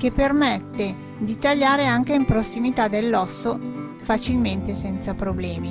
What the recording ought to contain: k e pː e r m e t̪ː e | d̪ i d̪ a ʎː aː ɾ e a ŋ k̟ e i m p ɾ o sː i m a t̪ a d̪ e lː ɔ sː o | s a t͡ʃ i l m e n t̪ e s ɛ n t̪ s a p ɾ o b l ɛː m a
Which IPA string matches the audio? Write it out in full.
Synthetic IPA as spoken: k e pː e r m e t̪ː e | d̪ i t̪ a ʎː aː ɾ e a ŋ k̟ e i m p ɾ o sː i m i t̪ a d̪ e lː ɔ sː o | f a t͡ʃ i l m e n t̪ e s ɛ n t̪ s a p ɾ o b l ɛː m i